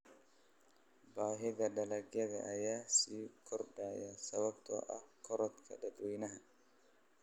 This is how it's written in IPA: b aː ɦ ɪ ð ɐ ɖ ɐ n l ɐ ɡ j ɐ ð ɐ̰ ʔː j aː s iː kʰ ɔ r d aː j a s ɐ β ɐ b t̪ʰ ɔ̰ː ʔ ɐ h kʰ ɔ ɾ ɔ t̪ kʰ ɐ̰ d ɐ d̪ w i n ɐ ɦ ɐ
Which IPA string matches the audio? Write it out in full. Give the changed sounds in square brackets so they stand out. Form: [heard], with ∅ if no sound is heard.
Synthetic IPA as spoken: b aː ɦ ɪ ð ɐ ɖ ɐ [∅] l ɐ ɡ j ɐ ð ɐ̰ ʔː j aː s iː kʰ ɔ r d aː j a s ɐ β ɐ b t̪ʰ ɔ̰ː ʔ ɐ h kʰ ɔ ɾ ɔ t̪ kʰ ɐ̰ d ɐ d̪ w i n ɐ ɦ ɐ